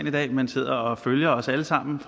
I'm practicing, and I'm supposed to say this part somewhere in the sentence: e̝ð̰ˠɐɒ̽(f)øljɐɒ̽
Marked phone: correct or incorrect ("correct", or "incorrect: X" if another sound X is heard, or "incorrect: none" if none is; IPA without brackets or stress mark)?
correct